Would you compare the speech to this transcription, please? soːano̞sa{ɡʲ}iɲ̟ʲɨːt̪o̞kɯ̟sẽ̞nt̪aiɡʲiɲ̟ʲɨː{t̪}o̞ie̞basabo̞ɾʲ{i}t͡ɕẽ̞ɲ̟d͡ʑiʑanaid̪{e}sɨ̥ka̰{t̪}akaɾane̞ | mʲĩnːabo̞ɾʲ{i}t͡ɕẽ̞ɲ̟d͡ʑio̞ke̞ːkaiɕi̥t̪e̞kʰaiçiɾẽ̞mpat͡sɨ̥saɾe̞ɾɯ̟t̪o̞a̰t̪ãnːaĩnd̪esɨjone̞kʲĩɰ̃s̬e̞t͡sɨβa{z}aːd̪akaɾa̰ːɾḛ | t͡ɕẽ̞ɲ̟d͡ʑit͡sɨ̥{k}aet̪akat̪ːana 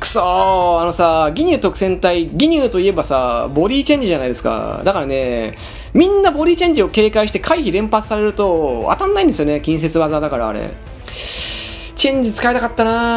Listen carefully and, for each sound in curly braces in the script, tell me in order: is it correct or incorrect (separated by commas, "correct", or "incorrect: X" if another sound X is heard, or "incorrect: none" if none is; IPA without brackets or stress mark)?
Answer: correct, correct, incorrect: iː, correct, incorrect: d̪, incorrect: iː, correct, correct